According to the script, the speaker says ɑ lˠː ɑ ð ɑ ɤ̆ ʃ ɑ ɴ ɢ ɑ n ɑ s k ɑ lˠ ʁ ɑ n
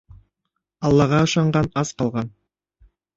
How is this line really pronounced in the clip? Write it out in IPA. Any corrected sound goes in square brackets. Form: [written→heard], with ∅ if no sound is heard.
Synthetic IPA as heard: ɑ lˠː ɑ [ð→ʁ] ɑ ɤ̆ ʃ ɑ ɴ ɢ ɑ n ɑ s [k→q] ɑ lˠ ʁ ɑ n